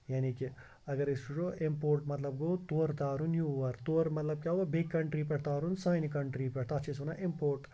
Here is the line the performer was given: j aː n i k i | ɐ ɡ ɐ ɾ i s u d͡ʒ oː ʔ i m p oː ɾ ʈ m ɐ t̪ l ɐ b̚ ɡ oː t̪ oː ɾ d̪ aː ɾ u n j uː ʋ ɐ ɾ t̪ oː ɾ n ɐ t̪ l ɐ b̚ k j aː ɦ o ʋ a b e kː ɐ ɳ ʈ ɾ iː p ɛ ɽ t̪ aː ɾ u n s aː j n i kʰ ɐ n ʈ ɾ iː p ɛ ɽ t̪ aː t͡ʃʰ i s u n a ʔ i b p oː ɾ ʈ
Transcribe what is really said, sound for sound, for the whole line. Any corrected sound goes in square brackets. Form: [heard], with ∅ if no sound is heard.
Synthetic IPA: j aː n i k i | ɐ ɡ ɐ ɾ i s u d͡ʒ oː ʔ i m p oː ɾ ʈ m ɐ t̪ l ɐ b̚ ɡ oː t̪ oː ɾ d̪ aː ɾ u n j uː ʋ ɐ ɾ t̪ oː ɾ [m] ɐ t̪ l ɐ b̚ k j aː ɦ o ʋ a b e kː ɐ ɳ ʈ ɾ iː p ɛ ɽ t̪ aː ɾ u n s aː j n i [k] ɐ [ɳ] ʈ ɾ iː p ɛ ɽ t̪ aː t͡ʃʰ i s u n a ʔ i [m] p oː ɾ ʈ

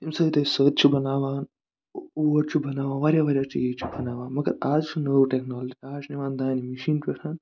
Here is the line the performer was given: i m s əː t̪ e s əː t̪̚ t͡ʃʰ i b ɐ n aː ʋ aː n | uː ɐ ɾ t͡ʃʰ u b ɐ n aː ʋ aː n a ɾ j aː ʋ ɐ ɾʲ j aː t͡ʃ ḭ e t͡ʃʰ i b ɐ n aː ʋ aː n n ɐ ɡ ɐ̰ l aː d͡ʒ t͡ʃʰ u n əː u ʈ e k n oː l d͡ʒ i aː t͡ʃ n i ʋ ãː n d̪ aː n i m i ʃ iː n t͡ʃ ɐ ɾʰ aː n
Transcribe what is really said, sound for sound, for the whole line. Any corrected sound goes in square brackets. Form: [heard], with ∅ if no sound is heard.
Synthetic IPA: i m s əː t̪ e s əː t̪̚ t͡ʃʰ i b ɐ n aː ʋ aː n | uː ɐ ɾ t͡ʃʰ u b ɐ n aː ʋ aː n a ɾ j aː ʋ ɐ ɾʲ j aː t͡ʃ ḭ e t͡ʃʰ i b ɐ n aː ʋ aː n [m] ɐ ɡ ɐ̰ [ɾ] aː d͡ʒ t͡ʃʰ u n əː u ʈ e k n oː l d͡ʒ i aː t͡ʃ n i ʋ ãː n d̪ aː n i m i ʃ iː n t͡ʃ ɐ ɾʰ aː n

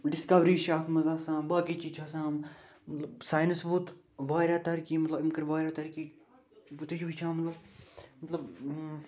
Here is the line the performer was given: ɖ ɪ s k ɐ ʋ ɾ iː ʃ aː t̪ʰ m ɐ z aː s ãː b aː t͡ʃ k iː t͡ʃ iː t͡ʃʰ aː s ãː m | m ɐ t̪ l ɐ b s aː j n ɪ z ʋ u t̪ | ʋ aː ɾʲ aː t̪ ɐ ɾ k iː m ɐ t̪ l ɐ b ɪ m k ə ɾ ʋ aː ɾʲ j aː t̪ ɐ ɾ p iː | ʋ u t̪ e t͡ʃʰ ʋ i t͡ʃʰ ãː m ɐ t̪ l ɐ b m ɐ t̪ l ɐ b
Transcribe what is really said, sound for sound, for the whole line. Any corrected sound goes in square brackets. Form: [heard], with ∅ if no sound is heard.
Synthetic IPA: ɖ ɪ s k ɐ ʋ ɾ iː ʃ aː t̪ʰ m ɐ z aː s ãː b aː [∅] k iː t͡ʃ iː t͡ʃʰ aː s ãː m | m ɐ t̪ l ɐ b s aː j n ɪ [s] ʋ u t̪ | ʋ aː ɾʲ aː t̪ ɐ ɾ k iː m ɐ t̪ l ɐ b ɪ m k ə ɾ ʋ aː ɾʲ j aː t̪ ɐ ɾ [k] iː | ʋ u t̪ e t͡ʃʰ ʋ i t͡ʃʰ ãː m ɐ t̪ l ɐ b m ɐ t̪ l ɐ b

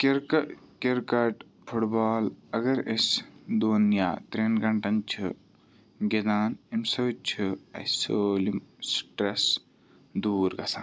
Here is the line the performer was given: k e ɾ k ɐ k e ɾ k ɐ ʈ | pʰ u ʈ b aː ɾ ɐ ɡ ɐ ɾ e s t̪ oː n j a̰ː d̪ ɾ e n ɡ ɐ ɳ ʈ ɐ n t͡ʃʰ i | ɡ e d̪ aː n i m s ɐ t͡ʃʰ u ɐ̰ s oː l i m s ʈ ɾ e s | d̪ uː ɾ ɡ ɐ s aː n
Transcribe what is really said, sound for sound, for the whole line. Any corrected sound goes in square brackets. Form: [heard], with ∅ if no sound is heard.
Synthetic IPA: k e ɾ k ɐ k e ɾ k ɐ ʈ | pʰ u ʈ b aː [l] ɐ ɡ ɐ ɾ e s [d̪] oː n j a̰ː [t̪] ɾ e n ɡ ɐ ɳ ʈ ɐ n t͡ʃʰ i | ɡ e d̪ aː n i m s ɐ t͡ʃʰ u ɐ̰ s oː l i m s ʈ ɾ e s | d̪ uː ɾ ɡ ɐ s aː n

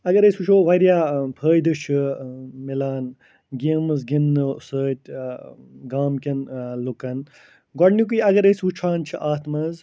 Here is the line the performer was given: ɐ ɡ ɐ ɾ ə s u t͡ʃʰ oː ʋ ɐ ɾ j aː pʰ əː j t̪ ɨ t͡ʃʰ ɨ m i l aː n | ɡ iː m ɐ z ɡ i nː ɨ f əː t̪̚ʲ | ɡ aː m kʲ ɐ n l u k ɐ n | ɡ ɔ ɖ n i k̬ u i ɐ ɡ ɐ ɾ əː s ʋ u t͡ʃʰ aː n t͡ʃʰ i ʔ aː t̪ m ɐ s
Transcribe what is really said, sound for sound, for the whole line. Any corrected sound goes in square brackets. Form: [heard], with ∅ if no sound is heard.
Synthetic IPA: ɐ ɡ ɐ ɾ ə s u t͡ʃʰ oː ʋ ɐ ɾ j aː pʰ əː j [d̪] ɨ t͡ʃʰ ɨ m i l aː n | ɡ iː m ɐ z ɡ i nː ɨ [s] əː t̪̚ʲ | ɡ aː m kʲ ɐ n l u k ɐ n | ɡ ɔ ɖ n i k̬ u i ɐ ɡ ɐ ɾ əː s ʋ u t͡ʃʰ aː n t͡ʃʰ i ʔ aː t̪ m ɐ [z]

